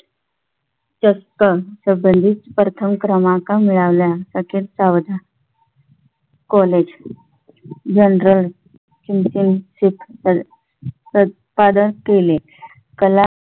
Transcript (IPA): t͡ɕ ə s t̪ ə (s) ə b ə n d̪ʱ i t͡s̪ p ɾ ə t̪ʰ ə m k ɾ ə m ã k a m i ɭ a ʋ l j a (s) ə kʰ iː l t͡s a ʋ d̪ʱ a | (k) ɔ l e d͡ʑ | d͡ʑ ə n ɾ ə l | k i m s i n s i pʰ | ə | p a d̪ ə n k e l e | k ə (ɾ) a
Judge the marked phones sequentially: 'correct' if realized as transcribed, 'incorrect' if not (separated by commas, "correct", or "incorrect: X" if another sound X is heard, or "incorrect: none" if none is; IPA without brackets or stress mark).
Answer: correct, correct, correct, incorrect: l